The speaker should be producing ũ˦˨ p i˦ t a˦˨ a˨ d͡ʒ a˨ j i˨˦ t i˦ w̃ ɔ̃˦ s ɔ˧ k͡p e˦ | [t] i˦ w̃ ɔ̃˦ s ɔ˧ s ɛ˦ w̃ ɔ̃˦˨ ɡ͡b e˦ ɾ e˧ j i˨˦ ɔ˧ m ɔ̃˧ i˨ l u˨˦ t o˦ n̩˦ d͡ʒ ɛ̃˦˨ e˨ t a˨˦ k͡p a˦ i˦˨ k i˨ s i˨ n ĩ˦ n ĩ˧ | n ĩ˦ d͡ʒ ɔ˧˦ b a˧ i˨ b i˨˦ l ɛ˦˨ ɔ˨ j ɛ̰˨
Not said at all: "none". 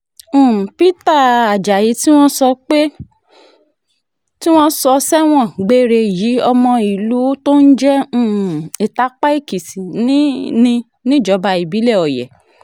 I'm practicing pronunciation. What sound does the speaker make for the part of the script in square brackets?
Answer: t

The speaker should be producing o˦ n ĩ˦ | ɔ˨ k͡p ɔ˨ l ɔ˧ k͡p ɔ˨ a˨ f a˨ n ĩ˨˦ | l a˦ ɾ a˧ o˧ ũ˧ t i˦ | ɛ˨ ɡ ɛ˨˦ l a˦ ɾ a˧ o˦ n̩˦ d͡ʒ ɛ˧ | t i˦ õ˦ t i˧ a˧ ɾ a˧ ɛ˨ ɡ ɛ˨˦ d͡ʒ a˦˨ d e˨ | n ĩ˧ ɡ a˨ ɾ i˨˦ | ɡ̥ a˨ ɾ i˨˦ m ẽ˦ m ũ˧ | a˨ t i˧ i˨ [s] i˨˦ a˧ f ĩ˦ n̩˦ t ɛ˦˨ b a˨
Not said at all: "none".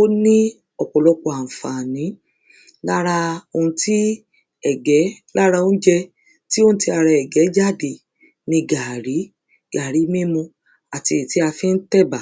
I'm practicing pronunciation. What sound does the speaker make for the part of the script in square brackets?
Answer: t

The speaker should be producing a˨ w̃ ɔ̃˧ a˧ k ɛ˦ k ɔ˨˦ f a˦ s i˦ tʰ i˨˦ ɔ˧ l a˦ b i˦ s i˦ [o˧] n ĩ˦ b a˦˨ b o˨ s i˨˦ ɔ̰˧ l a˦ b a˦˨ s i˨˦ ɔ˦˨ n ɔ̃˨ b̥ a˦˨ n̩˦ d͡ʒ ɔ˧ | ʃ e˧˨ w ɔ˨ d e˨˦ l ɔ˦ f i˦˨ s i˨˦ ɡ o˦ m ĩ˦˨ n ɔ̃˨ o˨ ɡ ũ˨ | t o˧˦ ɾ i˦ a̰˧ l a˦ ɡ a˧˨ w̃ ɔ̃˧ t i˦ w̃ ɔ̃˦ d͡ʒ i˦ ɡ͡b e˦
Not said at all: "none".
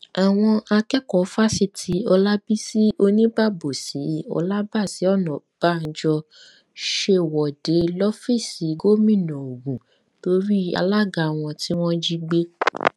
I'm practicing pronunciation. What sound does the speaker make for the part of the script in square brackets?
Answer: o˧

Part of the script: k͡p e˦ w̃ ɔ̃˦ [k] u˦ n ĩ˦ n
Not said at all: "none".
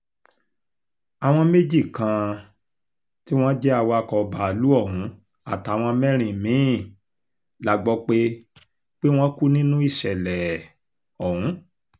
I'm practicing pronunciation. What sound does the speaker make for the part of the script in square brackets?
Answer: k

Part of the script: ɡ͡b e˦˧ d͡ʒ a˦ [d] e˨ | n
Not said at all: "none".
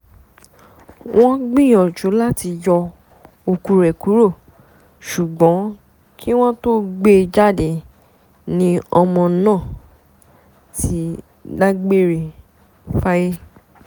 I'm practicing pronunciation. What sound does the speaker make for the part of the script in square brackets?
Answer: d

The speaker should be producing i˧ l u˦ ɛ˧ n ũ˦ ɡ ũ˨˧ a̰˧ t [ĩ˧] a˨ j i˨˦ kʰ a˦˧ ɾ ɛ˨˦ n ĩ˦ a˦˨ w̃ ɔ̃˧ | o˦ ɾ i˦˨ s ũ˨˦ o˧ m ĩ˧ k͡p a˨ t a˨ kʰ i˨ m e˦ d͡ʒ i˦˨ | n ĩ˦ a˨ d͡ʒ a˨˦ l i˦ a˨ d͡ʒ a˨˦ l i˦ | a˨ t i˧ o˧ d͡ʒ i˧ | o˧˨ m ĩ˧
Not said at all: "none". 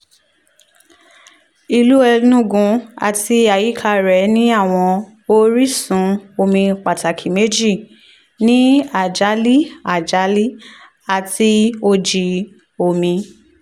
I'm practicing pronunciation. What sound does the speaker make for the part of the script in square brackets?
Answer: i˧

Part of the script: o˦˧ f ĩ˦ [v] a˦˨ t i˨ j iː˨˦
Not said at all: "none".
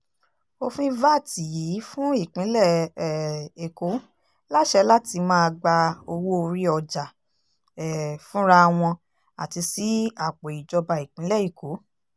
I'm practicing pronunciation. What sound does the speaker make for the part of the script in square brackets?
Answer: v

